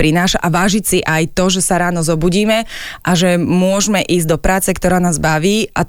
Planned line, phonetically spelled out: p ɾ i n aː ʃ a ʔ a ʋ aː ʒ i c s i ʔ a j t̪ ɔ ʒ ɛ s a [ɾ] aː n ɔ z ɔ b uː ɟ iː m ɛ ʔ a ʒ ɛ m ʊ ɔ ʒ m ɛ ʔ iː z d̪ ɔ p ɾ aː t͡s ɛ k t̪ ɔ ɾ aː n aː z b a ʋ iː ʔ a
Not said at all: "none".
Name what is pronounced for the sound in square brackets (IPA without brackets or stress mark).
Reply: ɾ